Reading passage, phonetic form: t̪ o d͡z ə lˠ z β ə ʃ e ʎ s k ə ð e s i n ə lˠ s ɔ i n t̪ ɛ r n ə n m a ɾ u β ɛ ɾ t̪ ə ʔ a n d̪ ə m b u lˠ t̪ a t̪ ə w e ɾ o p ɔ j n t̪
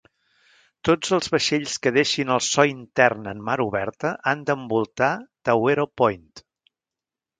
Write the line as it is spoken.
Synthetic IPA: t̪ o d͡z ə lˠ z β ə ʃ e ʎ s k ə ð e ʃ i n ə lˠ s ɔ i n t̪ ɛ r n ə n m a ɾ u β ɛ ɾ t̪ ə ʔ a n d̪ ə m b u lˠ t̪ a t̪ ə w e ɾ o p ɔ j n t̪

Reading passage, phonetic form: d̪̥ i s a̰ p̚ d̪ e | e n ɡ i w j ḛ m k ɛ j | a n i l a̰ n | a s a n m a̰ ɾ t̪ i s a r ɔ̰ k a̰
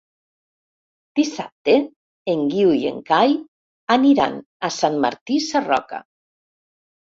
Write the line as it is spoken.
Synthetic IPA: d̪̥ i s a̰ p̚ t̪ e | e ŋ ɡ i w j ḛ ŋ k a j | a n i ɾ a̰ n | a s a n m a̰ ɾ t̪ i s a r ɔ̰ k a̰

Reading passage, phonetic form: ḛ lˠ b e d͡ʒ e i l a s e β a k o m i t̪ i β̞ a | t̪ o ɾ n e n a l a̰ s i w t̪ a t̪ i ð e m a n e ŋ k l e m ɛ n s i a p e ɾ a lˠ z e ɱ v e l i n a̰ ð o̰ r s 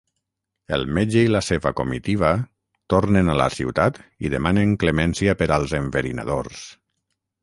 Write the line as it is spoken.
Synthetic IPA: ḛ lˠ m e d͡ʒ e i l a s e β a k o m i t̪ i β̞ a | t̪ o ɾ n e n a l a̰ s i w t̪ a t̪ i ð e m a n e ŋ k l e m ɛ n s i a p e ɾ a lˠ z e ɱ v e ɾ i n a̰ ð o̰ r s

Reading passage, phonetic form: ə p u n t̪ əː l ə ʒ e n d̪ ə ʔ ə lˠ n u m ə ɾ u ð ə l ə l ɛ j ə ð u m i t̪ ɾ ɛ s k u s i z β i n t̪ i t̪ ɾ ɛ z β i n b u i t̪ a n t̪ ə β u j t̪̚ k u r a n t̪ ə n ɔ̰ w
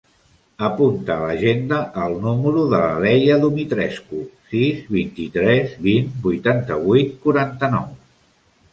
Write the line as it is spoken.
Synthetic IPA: ə p u n t̪ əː l ə ʒ e n d̪ ə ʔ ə lˠ n u m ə ɾ u ð ə l ə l ɛ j ə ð u m i t̪ ɾ ɛ s k u s i z β i n t̪ i t̪ ɾ ɛ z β i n b u j t̪ a n t̪ ə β u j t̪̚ k u ɾ a n t̪ ə n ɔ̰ w

